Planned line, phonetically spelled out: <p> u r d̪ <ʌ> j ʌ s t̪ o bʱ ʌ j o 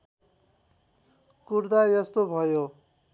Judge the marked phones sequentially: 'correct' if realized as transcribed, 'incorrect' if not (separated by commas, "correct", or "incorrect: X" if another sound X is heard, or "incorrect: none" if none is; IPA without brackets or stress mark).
incorrect: k, incorrect: a